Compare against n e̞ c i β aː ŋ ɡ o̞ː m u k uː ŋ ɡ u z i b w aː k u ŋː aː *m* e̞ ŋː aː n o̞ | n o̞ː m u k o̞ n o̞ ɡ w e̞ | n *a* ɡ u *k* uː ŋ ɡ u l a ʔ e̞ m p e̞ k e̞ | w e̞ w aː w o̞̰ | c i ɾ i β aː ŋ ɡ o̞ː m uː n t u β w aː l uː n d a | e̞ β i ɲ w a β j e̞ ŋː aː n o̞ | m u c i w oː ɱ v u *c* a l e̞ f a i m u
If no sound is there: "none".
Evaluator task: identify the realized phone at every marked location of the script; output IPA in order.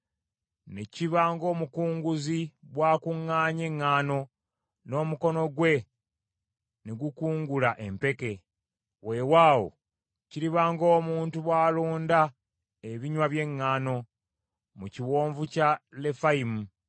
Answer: ɲ, e, k, c

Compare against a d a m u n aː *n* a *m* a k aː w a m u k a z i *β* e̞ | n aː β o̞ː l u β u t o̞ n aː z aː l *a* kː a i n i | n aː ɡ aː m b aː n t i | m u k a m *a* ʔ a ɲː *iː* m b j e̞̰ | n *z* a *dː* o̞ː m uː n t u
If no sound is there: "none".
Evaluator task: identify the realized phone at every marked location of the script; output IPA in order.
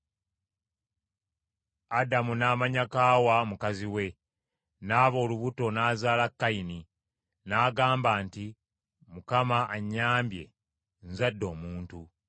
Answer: m, ɲ, w, a, a, aː, z, dː

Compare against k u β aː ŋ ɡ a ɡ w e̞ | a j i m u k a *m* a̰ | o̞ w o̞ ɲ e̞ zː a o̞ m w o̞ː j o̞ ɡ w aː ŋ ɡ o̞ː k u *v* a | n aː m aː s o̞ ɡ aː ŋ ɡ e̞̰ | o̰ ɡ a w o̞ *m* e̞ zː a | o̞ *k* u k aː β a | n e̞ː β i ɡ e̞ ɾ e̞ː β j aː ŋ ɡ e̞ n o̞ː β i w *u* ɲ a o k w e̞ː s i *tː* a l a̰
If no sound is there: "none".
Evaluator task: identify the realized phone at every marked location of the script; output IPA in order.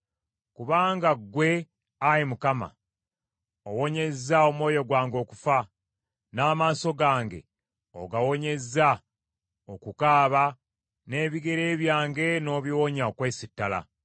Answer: m, f, ɲ, k, o, tː

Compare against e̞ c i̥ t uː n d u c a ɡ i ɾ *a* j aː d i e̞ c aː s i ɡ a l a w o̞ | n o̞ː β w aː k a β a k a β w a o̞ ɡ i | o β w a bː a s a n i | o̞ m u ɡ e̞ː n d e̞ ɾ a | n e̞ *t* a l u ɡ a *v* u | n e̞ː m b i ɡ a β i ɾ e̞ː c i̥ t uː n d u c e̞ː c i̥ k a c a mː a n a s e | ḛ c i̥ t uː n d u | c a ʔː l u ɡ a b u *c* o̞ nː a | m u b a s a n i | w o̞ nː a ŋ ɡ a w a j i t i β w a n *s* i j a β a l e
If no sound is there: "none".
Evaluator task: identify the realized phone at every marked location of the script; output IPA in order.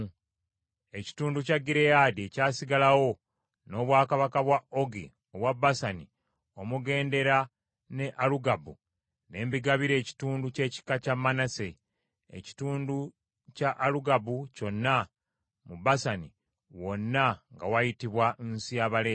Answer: e, ʔ, b, c, s

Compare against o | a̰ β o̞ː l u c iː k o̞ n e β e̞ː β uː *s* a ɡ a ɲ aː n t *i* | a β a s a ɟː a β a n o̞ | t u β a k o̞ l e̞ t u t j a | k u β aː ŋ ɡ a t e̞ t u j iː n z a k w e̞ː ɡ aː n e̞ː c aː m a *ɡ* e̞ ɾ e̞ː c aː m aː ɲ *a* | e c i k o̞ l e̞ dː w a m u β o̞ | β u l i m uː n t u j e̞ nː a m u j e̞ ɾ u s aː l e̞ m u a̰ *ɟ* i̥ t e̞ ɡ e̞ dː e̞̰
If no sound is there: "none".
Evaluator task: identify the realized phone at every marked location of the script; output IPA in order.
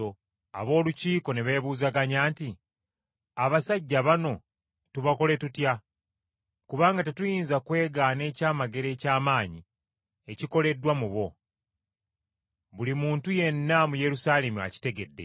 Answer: z, i, ɡ, i, c

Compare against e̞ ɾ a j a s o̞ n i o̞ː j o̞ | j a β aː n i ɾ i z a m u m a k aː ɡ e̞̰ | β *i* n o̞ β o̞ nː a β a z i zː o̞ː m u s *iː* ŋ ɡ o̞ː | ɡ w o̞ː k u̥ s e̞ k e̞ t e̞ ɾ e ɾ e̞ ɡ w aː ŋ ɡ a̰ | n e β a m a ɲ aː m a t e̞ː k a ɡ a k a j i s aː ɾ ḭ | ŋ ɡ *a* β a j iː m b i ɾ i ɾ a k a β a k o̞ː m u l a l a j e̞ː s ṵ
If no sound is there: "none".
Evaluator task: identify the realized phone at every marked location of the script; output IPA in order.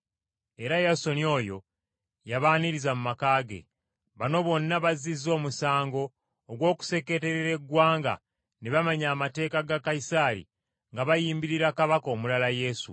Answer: a, aː, a

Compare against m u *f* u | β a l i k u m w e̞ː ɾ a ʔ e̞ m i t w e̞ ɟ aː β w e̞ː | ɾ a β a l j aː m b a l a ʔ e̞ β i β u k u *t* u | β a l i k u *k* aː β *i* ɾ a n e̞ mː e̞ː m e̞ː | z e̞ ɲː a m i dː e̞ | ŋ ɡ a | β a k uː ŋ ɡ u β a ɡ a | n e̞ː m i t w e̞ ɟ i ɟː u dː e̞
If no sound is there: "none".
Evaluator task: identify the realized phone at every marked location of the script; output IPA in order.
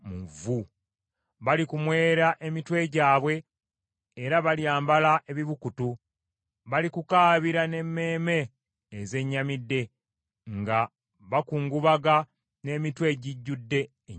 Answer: v, t, k, i

